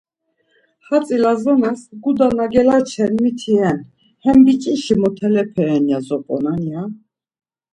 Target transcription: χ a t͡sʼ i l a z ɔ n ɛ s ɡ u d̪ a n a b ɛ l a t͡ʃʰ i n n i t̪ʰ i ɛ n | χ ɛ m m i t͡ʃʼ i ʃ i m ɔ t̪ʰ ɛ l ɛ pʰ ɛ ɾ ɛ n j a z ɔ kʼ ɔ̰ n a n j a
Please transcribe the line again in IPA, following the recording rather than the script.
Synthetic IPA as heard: χ a t͡sʼ i l a z ɔ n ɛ s ɡ u d̪ a n a ɡ ɛ l a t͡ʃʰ ɛ n m i t̪ʰ i ɛ n | h ɛ m b i t͡ʃʼ i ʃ i m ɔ t̪ʰ ɛ l ɛ pʰ ɛ ɾ ɛ n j a z ɔ pʼ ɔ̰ n a n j a